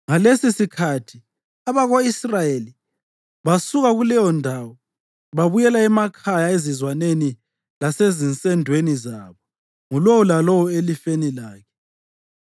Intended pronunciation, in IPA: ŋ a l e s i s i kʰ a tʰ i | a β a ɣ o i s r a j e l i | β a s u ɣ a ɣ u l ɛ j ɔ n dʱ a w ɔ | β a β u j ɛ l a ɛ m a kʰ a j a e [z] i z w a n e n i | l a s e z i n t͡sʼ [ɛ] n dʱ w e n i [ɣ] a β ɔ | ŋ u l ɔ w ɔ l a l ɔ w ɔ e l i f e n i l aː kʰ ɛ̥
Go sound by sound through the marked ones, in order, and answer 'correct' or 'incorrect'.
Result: correct, correct, incorrect: z

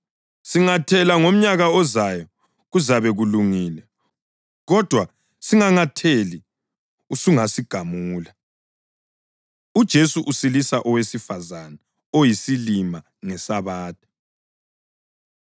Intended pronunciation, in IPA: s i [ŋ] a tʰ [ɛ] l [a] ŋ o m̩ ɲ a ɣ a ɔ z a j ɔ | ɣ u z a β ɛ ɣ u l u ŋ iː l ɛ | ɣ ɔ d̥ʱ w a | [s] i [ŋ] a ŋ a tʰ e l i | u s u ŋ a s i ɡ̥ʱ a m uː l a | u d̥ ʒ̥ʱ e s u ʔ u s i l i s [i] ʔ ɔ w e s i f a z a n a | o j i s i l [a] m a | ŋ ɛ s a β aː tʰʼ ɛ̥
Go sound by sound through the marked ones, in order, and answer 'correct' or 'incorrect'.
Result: correct, correct, correct, correct, correct, incorrect: a, incorrect: i

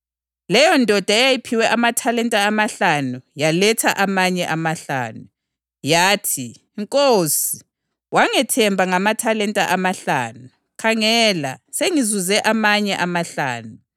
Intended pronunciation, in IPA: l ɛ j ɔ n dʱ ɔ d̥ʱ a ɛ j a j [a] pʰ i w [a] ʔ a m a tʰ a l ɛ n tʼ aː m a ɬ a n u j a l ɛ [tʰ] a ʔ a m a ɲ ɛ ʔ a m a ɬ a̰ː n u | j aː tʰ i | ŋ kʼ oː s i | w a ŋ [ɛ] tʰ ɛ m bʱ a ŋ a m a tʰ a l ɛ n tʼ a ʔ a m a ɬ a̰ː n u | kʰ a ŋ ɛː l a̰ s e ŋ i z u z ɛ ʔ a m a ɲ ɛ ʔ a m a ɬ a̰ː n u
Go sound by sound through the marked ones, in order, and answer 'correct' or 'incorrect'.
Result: incorrect: i, incorrect: ɛ, correct, correct

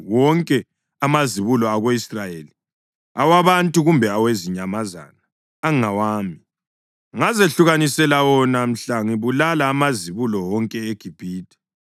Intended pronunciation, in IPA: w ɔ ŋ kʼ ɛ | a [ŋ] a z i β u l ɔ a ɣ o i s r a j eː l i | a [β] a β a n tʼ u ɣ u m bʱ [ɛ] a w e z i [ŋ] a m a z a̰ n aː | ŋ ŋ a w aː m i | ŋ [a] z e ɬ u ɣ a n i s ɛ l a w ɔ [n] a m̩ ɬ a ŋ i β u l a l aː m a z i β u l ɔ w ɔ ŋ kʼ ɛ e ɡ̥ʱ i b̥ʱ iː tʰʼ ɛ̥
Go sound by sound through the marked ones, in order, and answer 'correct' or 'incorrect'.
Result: incorrect: m, incorrect: w, correct, incorrect: ɲ, correct, correct

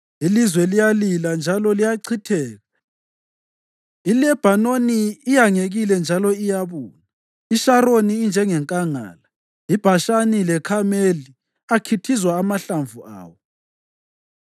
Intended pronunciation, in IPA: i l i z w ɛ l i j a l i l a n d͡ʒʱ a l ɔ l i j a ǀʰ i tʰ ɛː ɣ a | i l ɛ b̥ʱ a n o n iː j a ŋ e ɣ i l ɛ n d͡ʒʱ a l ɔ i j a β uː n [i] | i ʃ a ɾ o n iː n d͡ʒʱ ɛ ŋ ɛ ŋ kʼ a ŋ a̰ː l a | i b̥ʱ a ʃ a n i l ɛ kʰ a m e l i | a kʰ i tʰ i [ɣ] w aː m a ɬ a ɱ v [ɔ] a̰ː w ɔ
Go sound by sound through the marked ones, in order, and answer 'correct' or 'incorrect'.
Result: incorrect: a, incorrect: z, incorrect: u

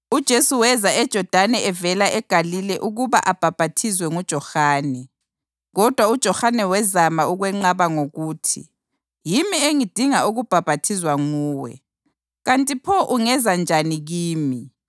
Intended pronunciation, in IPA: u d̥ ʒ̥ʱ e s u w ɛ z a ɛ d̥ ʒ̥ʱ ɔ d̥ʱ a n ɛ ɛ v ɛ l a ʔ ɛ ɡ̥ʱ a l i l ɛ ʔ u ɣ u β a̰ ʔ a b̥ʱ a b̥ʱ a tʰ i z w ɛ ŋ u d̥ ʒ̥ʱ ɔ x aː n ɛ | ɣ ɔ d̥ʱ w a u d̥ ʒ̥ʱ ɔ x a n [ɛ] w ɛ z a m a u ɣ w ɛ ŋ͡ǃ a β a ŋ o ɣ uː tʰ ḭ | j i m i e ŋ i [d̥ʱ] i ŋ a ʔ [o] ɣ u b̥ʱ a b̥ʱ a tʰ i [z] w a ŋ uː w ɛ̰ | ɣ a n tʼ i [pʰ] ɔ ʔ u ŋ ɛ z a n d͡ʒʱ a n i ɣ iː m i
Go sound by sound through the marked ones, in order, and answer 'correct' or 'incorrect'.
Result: correct, correct, incorrect: u, correct, correct

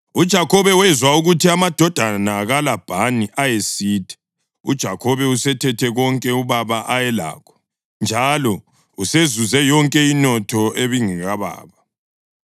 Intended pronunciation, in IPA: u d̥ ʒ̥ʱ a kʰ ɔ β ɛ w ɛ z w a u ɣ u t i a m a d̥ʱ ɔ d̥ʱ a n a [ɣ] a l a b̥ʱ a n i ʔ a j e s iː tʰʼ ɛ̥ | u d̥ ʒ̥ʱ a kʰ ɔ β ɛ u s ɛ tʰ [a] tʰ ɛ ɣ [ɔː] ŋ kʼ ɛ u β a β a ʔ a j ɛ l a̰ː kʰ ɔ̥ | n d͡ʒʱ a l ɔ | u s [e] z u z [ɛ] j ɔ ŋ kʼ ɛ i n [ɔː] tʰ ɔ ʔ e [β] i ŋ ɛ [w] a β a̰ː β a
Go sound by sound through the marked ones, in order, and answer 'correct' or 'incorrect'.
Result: correct, incorrect: ɛ, incorrect: ɔ, correct, correct, incorrect: ɔ, correct, incorrect: ɣ

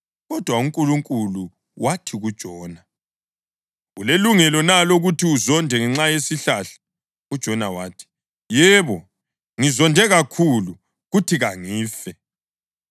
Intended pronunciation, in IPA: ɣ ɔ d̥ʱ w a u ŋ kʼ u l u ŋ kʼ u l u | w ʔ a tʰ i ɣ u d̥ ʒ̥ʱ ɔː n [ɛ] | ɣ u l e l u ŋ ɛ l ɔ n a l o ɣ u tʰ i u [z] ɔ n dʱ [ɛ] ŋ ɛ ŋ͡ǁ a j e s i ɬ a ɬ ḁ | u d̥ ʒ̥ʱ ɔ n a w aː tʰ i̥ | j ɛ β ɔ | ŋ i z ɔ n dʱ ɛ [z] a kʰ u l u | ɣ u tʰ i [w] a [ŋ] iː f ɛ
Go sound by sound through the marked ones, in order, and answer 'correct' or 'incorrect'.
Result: incorrect: a, correct, correct, incorrect: ɣ, incorrect: ɣ, correct

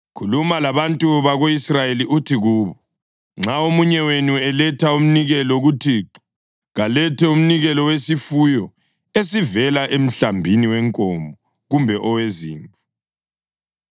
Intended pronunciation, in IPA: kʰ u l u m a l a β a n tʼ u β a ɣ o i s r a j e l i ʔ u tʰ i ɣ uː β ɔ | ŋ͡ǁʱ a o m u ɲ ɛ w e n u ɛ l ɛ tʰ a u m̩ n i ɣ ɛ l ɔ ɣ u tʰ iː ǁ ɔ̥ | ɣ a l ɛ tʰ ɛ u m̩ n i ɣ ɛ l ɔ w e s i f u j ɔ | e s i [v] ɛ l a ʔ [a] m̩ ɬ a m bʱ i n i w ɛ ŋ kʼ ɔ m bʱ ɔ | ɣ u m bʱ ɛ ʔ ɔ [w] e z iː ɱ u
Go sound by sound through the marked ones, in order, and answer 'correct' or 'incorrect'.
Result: correct, incorrect: e, correct

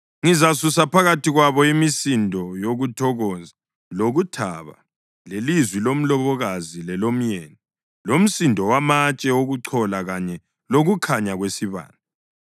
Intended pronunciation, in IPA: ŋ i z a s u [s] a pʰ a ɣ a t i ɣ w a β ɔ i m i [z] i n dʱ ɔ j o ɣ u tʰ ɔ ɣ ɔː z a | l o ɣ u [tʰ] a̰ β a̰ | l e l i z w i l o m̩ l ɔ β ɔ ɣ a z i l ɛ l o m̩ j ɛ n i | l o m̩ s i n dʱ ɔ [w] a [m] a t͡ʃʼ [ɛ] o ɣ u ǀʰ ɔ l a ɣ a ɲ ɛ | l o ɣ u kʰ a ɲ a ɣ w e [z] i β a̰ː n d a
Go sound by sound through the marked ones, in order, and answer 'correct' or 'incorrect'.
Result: correct, incorrect: s, correct, correct, correct, correct, incorrect: s

